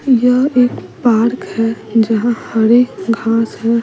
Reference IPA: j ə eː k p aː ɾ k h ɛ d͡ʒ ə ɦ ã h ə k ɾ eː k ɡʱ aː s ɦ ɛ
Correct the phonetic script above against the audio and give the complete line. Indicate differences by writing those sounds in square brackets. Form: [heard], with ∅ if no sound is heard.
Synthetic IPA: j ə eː k p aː ɾ k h ɛ d͡ʒ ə ɦ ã h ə [∅] ɾ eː k ɡʱ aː s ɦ ɛ